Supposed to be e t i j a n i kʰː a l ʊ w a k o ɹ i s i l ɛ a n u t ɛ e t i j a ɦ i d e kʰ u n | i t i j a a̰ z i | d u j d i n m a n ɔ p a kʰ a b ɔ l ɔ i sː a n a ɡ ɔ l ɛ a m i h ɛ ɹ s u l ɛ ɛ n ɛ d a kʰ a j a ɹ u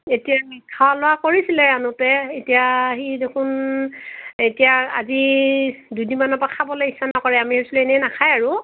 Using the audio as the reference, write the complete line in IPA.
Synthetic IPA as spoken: e t i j a m i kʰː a l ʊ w a k o ɹ i s i l ɛ a n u t ɛ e t i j a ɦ i d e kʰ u n | e t i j a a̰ z i | d u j d i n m a n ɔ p a kʰ a b ɔ l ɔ i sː a n a k ɔ ɹ ɛ a m i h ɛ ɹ s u l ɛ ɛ n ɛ n a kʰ a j a ɹ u